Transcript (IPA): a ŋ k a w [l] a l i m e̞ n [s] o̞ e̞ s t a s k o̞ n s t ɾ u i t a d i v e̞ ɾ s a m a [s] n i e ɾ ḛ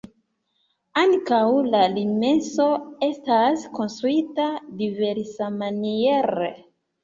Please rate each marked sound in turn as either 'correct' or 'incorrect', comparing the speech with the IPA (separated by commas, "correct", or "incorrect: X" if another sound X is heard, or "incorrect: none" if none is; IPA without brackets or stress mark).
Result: correct, correct, incorrect: none